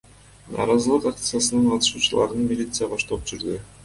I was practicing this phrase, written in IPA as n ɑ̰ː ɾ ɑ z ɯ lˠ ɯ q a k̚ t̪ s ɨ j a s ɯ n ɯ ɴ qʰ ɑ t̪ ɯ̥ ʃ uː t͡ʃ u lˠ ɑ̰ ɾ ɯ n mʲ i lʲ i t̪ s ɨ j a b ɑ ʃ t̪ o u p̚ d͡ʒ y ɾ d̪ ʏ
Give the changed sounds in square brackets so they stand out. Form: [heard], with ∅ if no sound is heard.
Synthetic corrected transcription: n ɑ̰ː ɾ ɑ z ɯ lˠ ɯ q a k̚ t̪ s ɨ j a s ɯ n ɯ ɴ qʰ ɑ t̪ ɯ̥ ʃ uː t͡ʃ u lˠ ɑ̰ ɾ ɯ n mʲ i lʲ i t̪ s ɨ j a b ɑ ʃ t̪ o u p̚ d͡ʒ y ɾ d̪ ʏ

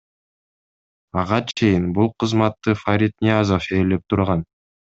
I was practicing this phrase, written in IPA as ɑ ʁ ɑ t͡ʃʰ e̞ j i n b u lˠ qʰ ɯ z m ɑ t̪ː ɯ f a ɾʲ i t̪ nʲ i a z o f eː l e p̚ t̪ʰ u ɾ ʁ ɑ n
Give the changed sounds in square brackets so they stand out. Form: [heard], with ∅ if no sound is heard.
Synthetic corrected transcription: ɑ ʁ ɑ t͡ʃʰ e̞ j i n b u lˠ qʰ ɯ z m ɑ t̪ː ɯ f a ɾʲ i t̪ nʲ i a z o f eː l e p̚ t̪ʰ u ɾ ʁ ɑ n

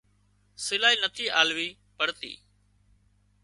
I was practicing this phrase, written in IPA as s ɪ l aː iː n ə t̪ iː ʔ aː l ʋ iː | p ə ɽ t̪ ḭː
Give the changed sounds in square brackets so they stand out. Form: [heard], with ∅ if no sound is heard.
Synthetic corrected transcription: s ɪ l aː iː n ə [t̪ʰ] iː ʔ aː l ʋ iː | p ə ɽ t̪ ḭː

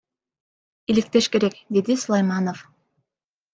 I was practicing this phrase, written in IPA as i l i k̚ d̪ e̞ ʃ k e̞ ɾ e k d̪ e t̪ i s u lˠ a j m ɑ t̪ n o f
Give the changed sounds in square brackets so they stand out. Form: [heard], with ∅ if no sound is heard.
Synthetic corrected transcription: i l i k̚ [t̪] e̞ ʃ k e̞ ɾ e k d̪ e [d̪] i s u lˠ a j m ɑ [∅] n o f

